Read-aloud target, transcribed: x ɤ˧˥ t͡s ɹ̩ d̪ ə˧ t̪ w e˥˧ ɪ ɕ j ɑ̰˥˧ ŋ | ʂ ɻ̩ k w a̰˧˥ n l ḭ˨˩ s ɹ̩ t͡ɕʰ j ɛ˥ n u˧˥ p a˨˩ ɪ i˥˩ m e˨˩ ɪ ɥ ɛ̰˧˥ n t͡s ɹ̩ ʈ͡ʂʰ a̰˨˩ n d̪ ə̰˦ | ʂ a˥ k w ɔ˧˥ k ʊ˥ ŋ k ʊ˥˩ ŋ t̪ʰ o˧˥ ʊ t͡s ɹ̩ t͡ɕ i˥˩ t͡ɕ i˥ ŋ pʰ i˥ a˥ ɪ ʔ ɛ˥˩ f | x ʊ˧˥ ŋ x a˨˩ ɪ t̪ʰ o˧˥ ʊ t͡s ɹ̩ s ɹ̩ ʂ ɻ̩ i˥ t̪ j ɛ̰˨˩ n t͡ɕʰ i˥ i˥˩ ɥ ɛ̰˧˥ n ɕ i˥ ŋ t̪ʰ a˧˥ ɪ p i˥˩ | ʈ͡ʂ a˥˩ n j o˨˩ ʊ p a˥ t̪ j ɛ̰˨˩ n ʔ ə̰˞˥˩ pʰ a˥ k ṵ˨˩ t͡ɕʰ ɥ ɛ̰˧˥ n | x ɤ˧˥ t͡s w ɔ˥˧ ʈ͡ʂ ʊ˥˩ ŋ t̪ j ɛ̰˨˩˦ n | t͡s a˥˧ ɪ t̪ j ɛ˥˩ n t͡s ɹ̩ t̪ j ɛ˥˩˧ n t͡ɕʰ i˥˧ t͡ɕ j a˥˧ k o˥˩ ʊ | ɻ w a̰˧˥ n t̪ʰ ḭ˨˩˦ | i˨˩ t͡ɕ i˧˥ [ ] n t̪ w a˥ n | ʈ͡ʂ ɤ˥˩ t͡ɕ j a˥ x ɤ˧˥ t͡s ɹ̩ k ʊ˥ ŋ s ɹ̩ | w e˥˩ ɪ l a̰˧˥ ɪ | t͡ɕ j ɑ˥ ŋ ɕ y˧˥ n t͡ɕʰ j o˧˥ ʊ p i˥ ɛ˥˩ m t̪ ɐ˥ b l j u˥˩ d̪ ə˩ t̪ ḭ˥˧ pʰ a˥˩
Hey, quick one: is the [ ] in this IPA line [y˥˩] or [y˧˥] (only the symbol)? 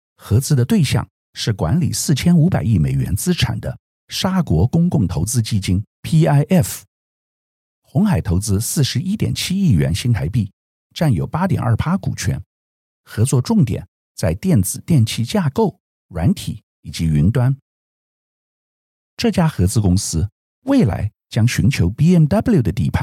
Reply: y˧˥